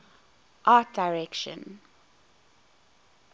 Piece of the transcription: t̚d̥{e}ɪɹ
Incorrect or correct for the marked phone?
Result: incorrect: a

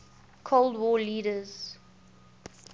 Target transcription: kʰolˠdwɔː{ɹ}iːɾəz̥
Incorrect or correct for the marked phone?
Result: incorrect: l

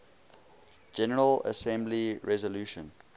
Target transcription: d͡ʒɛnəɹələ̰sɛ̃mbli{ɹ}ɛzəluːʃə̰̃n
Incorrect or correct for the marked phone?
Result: correct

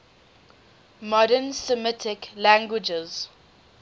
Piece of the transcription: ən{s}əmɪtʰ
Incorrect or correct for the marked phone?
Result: correct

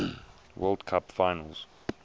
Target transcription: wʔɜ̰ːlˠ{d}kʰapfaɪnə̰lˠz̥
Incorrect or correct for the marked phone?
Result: correct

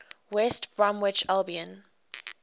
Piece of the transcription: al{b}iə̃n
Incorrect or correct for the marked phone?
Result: correct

